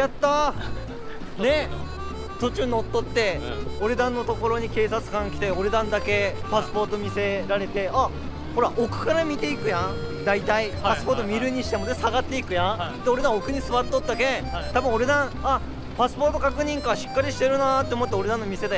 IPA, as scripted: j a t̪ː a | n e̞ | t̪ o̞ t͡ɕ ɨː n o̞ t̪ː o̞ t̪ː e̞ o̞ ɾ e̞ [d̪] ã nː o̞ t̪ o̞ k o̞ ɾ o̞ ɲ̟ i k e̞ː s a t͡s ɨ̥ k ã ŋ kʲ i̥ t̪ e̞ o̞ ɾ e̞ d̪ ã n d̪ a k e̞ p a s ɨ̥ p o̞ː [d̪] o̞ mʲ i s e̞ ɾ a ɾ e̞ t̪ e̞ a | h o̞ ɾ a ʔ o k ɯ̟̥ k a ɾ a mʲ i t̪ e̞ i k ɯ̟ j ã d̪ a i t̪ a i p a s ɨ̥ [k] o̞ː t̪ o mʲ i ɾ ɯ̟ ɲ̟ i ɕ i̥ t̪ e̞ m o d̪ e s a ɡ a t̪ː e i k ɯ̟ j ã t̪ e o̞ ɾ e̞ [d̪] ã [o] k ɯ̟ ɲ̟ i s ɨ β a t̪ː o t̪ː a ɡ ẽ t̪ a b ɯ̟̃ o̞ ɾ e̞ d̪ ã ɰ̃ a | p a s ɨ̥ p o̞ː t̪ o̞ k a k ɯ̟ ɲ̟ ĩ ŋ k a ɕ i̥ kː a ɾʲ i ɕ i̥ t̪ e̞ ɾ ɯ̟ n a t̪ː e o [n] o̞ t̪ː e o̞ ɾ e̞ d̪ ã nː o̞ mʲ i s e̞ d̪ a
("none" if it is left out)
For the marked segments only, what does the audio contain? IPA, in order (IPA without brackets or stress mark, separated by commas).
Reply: d̪, t̪, p, d̪, o, m